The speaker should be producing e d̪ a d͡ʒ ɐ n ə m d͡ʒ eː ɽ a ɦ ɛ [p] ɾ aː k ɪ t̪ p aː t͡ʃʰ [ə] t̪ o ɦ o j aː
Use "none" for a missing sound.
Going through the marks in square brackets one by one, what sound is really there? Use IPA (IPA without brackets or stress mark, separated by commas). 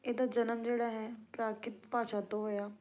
p, a